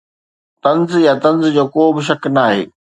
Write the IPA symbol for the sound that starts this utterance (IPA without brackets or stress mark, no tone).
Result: t̪